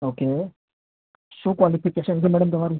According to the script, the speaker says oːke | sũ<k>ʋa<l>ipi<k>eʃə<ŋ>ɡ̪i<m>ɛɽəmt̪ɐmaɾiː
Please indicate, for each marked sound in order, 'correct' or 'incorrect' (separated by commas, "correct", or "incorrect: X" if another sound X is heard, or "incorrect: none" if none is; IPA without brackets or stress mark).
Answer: correct, correct, correct, incorrect: n, correct